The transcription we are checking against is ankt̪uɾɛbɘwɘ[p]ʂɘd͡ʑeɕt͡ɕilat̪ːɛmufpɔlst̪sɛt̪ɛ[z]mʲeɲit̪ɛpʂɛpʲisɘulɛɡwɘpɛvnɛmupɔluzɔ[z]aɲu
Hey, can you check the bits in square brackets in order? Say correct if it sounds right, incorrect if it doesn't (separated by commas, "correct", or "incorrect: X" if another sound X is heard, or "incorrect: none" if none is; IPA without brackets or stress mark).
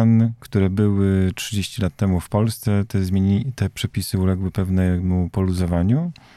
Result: incorrect: t, correct, incorrect: v